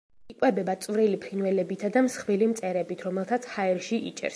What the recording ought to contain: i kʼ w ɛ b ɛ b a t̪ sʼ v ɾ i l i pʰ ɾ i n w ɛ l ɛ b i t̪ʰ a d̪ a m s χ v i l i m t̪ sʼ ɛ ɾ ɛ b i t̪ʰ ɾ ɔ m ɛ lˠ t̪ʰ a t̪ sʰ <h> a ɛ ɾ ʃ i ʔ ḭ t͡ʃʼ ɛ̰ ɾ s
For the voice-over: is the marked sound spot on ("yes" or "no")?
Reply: yes